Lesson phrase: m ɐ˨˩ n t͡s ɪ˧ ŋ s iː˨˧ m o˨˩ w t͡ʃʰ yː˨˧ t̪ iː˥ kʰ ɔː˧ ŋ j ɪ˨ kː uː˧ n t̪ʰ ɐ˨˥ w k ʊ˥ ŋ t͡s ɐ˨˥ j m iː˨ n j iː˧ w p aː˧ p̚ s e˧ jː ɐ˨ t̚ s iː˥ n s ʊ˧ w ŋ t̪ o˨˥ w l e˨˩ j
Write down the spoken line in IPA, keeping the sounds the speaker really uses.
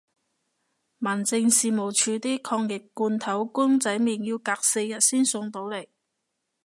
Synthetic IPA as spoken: m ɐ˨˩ n t͡s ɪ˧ ŋ s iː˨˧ m o˨˩ w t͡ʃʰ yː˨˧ t̪ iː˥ kʰ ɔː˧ ŋ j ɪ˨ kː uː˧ n t̪ʰ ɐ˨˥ w k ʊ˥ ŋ t͡s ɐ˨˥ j m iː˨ n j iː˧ w k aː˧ k̚ s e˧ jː ɐ˨ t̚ s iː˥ n s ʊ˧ ŋ t̪ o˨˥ w l e˨˩ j